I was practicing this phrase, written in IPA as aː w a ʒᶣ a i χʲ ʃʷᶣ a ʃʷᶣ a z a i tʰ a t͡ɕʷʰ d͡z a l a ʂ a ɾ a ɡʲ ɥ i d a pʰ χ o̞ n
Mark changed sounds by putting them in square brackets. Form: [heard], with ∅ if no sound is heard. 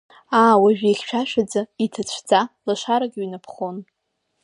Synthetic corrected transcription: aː w a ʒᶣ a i χʲ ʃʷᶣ a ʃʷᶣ a [d͡z] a i tʰ a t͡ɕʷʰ d͡z a l a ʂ a ɾ a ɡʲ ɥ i [n] a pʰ χ o̞ n